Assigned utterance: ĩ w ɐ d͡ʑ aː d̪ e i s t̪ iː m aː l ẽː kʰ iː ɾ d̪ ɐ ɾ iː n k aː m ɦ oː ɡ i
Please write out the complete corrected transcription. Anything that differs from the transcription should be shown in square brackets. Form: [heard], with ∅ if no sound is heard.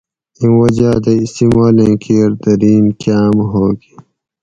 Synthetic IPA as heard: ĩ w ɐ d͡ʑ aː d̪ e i s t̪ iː m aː l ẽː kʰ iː ɾ d̪ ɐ ɾ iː n k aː m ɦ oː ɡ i